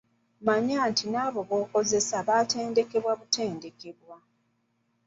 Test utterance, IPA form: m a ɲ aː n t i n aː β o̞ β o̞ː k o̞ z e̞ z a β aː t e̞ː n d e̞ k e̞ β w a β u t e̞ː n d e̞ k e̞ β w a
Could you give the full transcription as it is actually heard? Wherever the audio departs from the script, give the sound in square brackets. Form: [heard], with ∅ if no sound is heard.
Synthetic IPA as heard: m a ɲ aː n t i n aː β o̞ β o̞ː k o̞ z e̞ [s] a β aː t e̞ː n d e̞ k e̞ β w a β u t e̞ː n d e̞ k e̞ β w a